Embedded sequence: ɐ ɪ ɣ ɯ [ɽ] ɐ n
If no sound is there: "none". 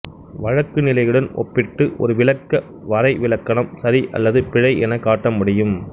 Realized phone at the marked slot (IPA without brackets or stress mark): ɽ